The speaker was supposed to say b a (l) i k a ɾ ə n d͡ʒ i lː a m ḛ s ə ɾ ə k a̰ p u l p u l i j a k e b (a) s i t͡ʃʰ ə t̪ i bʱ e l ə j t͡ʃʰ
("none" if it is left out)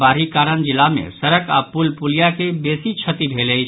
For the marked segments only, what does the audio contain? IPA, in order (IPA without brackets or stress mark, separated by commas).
ɾ, e